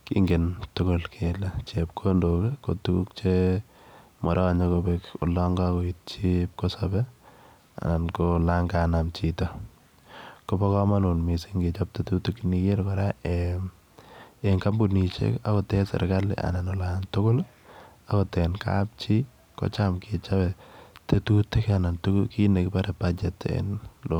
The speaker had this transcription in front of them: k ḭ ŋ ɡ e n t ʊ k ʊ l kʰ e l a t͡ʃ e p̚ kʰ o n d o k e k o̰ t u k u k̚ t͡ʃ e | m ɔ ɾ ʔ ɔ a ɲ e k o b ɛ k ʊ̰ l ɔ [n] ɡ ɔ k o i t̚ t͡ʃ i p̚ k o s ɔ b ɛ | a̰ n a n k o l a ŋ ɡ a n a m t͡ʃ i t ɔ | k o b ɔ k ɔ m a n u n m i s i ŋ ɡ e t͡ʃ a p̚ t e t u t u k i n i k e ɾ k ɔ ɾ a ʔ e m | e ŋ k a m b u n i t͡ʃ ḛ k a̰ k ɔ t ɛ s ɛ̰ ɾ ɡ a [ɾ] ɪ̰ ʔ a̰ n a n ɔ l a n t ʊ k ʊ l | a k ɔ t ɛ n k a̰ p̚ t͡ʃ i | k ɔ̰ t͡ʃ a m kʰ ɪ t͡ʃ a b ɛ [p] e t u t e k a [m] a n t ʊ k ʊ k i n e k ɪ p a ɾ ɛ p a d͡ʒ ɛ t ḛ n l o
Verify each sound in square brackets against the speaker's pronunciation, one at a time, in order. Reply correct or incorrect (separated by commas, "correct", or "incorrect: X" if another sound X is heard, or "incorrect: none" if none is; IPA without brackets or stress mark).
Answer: incorrect: ŋ, incorrect: l, incorrect: t, incorrect: n